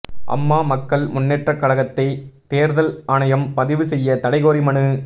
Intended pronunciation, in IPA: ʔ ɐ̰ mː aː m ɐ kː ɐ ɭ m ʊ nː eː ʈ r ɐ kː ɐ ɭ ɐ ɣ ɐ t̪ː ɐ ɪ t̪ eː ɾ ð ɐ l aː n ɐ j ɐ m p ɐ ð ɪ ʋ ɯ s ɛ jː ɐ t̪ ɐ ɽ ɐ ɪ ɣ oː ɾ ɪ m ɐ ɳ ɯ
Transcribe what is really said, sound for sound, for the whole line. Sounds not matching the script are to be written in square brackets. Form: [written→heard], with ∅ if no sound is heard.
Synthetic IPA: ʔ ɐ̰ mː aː m ɐ kː ɐ ɭ m ʊ nː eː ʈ r ɐ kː ɐ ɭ ɐ ɣ ɐ t̪ː ɐ ɪ t̪ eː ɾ ð ɐ l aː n ɐ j ɐ m p ɐ ð ɪ ʋ ɯ s ɛ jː ɐ t̪ ɐ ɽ ɐ ɪ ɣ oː ɾ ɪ m ɐ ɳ ɯ